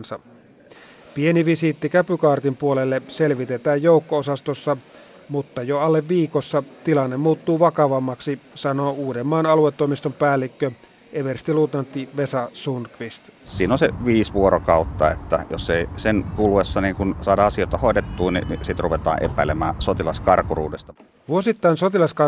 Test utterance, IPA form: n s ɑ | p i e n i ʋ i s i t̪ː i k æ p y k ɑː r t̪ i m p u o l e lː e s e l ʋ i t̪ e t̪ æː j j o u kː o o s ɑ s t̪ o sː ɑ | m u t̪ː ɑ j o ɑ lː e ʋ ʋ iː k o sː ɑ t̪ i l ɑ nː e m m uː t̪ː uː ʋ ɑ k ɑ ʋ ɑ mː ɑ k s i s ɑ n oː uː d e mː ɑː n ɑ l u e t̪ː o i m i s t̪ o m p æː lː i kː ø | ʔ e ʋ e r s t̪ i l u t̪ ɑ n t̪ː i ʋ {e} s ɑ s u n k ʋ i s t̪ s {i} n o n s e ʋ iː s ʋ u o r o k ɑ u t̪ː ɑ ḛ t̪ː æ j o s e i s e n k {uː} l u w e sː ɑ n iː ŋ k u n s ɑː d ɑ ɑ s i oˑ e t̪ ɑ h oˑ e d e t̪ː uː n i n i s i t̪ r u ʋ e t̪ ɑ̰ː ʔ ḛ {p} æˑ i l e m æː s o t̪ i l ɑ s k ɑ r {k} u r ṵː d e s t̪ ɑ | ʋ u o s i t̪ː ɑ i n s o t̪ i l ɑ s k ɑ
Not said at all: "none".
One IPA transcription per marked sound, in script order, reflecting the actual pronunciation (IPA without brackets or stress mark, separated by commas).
e, iː, u, p, k